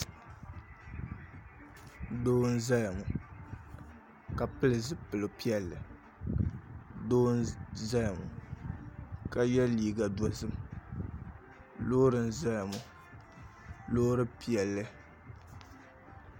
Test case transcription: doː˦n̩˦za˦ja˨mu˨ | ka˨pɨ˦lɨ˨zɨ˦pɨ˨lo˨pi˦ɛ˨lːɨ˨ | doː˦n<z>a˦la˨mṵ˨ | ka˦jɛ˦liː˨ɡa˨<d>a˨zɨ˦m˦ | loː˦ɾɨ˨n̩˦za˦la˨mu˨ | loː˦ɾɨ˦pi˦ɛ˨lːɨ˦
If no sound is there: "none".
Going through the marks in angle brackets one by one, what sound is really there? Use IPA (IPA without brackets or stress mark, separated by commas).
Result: z, d